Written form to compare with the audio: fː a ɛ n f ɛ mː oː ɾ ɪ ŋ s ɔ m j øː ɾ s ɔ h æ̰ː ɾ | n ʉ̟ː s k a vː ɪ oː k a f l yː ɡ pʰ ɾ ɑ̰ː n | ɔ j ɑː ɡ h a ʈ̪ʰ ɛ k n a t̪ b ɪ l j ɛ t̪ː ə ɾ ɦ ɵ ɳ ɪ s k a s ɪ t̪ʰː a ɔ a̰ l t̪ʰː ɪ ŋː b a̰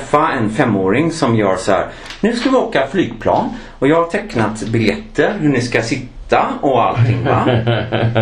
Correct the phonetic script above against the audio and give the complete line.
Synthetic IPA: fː a ɛ n f ɛ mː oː ɾ ɪ ŋ s ɔ m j œː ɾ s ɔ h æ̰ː ɾ | n ʉ̟ː s k a v ɪ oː k a f l yː ɡ pʰ l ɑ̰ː n | ɔ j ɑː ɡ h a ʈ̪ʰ ɛ k n a t̪ b ɪ l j ɛ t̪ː ə ɾ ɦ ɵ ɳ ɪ s k a s ɪ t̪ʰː a ɔ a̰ l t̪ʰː ɪ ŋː v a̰